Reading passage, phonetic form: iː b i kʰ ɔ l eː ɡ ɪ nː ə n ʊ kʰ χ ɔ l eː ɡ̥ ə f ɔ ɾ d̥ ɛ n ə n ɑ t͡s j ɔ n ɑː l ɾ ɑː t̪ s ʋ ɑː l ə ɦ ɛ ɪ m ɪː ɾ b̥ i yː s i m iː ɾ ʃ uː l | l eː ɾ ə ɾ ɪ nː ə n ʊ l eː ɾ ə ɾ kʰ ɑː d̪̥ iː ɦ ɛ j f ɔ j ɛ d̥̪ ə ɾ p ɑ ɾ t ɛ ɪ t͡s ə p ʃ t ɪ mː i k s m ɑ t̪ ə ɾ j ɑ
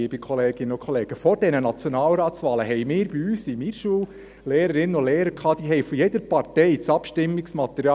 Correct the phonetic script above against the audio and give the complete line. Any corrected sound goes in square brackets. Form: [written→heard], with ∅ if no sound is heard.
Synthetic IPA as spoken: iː b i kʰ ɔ l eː ɡ ɪ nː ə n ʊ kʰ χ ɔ l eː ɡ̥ ə f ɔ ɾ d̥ ɛ n ə n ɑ t͡s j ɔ n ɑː l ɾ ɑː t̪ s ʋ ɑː l ə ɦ ɛ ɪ m ɪː ɾ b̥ i yː s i m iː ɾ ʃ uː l | l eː ɾ ə ɾ ɪ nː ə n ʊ l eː ɾ ə ɾ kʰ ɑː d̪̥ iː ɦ ɛ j f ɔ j ɛ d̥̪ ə ɾ p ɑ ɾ t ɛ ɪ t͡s [ə→ɑ] p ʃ t ɪ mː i k s m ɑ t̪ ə ɾ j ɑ